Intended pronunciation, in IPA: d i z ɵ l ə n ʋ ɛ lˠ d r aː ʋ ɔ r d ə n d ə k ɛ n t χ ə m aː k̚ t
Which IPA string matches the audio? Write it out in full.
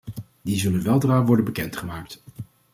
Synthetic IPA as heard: d i z ɵ l ə n ʋ ɛ lˠ d r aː ʋ ɔ ɹ d ə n b ə k ɛ n t χ ə m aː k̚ t